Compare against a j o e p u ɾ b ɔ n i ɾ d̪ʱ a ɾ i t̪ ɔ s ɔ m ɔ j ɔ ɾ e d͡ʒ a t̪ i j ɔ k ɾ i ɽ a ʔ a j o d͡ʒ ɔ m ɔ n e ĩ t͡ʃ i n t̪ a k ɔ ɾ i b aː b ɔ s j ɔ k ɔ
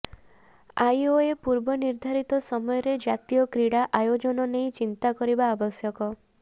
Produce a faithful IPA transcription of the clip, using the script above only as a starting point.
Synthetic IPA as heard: a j o e p u ɾ b ɔ n i ɾ d̪ʱ a ɾ i t̪ ɔ s ɔ m ɔ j ɔ ɾ e d͡ʒ a t̪ i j ɔ k ɾ i ɽ a ʔ a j o d͡ʒ ɔ n ɔ n e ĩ t͡ʃ i n t̪ a k ɔ ɾ i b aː b ɔ s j ɔ k ɔ